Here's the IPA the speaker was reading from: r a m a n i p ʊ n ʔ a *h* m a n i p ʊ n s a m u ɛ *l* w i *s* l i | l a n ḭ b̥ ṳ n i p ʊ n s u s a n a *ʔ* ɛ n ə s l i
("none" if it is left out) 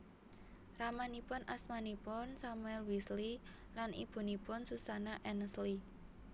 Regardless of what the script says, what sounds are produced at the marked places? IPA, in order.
s, l, s, ʔ

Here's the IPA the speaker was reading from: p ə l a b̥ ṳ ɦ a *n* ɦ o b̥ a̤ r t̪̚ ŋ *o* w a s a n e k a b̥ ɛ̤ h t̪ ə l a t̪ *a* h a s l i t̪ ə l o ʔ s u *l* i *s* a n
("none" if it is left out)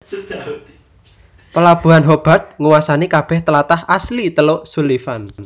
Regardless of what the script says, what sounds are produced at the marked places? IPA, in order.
n, u, a, l, f

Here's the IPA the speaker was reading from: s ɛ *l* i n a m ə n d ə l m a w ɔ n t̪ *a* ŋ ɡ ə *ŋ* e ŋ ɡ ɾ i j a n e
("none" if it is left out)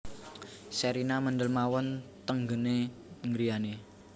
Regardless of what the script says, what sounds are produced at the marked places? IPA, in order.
ɾ, ə, n

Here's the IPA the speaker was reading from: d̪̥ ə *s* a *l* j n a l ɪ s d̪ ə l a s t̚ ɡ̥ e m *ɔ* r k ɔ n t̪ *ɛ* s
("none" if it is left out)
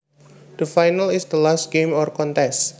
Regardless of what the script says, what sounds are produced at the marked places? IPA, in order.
f, none, ɔ, ɛ

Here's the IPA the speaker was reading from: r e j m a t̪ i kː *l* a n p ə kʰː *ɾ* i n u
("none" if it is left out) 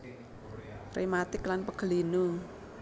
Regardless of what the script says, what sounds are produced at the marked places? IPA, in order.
l, l

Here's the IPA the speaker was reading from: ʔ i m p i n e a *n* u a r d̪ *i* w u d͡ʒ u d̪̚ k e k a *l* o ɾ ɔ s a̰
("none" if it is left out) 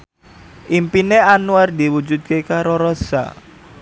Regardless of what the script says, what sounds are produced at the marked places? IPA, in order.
n, i, ɾ

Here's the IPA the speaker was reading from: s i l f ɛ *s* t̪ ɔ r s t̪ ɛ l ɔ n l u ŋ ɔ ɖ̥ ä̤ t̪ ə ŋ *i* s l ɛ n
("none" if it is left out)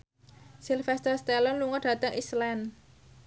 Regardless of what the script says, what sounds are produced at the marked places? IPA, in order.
s, i

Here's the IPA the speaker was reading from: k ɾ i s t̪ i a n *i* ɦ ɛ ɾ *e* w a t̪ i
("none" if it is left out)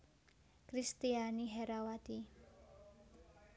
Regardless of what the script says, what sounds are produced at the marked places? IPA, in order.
i, a

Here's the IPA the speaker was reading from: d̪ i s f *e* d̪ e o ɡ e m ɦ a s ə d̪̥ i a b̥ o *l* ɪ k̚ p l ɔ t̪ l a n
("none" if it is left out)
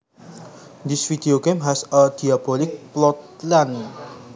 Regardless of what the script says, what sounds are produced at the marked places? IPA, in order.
i, l

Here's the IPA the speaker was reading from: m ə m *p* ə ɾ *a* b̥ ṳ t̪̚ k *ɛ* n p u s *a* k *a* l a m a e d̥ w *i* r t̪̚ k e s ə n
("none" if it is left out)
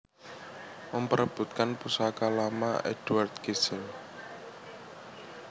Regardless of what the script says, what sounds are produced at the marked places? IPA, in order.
p, ə, a, a, a, a

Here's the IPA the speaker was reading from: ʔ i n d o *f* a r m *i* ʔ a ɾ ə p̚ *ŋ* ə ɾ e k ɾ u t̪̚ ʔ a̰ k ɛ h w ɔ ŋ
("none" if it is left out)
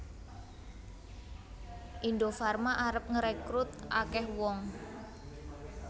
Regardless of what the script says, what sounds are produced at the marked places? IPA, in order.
f, a, ŋ

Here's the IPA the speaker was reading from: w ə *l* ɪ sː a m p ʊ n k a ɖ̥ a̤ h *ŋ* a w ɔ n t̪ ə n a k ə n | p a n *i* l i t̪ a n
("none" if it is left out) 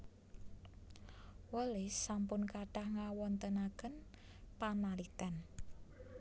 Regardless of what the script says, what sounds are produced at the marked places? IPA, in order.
l, ŋ, a

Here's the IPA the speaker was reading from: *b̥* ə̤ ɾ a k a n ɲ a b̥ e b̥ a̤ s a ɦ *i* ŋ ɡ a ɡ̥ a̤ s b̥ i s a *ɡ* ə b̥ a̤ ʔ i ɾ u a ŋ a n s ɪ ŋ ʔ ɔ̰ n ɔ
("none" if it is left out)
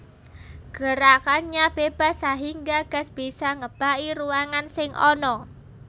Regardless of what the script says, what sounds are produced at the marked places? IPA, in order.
ɡ̥, i, ŋ

